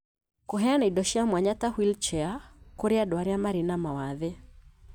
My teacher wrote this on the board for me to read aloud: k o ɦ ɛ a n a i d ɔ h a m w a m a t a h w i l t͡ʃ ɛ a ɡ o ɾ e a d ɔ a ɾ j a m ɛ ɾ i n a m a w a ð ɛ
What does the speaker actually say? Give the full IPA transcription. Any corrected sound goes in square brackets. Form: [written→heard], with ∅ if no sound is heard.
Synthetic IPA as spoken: k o ɦ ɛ a n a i d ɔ [h→ʃ] a m w a [m→ɲ] a t a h w i l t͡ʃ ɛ a [ɡ→k] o ɾ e a d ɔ a ɾ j a m [ɛ→a] ɾ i n a m a w a ð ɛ